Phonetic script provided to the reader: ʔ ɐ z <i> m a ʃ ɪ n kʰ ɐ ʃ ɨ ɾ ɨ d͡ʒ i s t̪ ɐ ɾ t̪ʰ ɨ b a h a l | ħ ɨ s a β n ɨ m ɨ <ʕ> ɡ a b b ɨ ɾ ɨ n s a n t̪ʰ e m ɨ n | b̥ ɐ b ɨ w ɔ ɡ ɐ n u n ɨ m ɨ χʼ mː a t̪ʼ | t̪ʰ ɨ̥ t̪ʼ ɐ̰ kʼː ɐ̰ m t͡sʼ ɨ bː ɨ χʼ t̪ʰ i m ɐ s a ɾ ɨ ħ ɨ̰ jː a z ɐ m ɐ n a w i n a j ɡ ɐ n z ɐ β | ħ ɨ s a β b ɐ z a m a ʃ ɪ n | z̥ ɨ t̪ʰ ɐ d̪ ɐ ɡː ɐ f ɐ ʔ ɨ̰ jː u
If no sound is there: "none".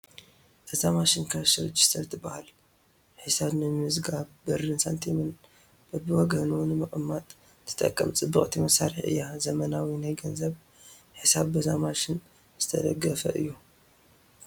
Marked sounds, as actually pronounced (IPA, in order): a, z

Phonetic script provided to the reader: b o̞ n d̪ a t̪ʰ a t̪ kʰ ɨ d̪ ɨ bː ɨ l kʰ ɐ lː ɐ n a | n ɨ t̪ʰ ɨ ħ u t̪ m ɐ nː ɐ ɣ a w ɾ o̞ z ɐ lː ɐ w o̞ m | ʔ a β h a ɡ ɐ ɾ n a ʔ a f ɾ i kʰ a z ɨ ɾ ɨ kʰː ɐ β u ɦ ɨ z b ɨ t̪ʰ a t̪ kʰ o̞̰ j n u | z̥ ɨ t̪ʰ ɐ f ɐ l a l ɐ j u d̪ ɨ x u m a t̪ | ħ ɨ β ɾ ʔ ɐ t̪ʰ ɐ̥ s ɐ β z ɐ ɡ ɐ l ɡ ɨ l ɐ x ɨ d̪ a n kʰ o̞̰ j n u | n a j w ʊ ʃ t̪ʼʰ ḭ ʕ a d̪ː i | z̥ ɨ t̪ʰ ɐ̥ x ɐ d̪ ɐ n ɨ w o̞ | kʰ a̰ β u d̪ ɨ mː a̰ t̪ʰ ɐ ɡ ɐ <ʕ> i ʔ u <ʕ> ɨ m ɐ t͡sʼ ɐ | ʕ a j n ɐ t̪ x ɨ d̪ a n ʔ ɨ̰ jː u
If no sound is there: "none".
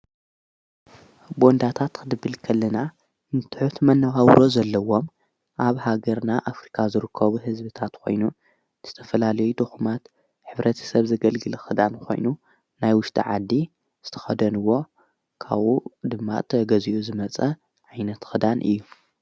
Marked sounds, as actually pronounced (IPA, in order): z, z

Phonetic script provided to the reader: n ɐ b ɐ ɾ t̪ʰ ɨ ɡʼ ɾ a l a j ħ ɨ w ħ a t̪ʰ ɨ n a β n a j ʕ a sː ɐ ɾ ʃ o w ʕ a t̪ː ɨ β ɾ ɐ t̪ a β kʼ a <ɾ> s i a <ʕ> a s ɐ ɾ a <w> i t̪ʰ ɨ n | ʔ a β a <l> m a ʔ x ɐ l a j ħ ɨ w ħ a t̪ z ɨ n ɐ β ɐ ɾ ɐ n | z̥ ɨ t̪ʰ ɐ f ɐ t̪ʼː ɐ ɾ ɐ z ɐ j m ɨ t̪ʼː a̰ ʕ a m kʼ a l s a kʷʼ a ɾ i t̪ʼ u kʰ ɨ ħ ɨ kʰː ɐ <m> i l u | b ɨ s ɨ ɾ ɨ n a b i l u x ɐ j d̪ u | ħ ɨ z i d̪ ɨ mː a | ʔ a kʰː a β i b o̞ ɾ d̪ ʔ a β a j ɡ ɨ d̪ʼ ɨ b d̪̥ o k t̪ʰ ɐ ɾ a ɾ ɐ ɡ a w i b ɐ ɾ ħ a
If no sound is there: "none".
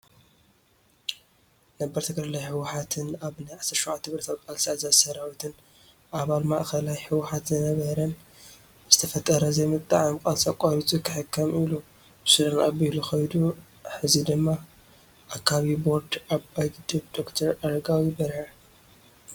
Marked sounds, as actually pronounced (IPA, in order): l, z, w, l, m

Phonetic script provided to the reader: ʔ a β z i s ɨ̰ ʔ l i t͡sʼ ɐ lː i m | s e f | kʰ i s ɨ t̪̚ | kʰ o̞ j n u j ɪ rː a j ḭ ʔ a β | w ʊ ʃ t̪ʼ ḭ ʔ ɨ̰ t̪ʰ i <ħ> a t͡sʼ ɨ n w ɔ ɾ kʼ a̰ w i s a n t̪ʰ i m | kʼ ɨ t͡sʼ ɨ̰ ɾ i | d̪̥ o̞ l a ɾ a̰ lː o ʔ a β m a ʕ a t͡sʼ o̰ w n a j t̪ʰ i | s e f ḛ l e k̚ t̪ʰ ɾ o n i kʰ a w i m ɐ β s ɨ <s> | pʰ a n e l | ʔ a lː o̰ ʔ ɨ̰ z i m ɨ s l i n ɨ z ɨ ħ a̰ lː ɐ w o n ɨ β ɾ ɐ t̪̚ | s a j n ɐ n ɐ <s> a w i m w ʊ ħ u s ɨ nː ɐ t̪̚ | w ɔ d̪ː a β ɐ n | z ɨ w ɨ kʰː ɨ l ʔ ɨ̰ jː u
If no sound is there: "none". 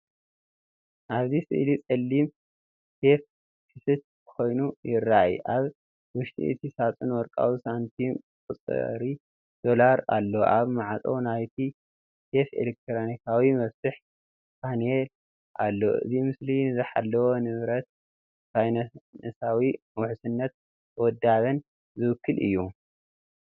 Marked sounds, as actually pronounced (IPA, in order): s, ħ, s

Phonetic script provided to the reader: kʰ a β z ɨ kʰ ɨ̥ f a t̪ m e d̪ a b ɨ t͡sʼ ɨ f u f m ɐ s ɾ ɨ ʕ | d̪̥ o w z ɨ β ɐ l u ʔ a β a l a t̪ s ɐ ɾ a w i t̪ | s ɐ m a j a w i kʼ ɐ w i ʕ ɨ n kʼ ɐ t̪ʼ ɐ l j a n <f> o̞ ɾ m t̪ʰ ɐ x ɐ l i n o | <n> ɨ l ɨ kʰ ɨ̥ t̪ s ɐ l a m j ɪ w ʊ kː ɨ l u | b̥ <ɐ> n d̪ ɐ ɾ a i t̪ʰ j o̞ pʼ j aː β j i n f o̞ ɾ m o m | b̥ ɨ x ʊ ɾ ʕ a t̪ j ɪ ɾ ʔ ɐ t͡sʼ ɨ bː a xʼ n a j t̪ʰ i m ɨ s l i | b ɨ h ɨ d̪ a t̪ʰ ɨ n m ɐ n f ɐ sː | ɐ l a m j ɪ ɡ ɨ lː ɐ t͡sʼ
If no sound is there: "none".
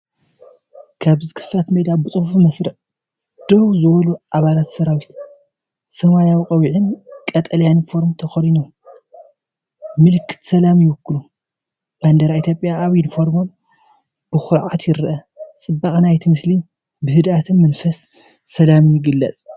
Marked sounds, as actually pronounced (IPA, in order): f, m, a

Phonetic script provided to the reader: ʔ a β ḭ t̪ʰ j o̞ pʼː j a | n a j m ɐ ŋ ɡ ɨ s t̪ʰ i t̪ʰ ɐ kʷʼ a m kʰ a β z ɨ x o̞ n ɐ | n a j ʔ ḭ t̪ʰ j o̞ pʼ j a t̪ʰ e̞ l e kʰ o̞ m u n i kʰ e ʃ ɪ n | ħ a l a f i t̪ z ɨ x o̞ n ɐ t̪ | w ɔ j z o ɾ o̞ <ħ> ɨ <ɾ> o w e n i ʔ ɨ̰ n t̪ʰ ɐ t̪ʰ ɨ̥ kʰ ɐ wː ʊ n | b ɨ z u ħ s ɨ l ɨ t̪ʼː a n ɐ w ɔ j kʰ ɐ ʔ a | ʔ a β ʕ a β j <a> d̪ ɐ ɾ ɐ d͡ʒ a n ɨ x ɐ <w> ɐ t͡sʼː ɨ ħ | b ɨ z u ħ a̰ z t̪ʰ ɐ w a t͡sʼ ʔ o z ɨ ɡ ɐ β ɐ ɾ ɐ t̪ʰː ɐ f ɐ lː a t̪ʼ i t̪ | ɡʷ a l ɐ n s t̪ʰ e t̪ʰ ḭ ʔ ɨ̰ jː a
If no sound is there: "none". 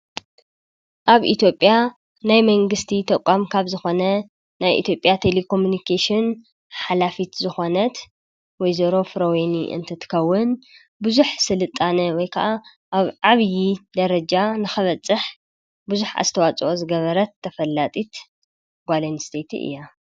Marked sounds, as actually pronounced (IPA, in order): f, ɾ, i, β

